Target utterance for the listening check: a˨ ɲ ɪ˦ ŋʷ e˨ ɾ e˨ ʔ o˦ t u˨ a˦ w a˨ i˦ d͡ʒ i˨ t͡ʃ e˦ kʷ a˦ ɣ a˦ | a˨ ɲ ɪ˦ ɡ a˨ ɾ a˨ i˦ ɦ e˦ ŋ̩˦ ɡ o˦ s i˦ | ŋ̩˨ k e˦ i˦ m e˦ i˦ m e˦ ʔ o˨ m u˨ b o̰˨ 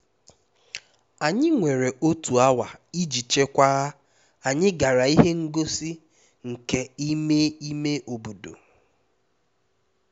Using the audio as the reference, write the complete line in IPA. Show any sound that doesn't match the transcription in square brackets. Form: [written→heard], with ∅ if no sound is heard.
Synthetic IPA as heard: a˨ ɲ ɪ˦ ŋʷ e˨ ɾ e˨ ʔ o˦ t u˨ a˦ w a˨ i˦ d͡ʒ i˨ t͡ʃ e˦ kʷ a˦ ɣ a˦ | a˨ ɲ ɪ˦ ɡ a˨ ɾ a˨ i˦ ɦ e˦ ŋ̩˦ ɡ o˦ s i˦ | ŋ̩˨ k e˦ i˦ m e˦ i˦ m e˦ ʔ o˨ [m→b] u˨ [b→d] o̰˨